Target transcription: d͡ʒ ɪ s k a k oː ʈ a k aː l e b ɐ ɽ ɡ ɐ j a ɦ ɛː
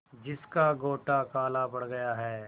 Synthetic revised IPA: d͡ʒ ɪ s k a ɡ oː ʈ a k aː l a b ɐ ɽ ɡ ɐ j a ɦ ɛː